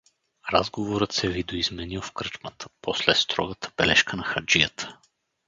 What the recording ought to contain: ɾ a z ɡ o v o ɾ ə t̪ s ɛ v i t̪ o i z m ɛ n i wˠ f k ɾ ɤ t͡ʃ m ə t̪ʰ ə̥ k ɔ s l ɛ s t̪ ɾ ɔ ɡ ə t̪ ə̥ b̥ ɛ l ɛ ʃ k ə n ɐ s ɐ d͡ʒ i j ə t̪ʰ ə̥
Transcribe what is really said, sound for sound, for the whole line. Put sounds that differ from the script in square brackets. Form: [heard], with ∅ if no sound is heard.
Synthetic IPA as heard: ɾ a z ɡ o v o ɾ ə t̪ s ɛ v i [d̪] o i z m ɛ n i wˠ f k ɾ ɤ t͡ʃ m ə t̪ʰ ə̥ [p] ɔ s l ɛ s t̪ ɾ ɔ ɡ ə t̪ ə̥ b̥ ɛ l ɛ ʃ k ə n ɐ [x] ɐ d͡ʒ i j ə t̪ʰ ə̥